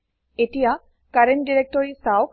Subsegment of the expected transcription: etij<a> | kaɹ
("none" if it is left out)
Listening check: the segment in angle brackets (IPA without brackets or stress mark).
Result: a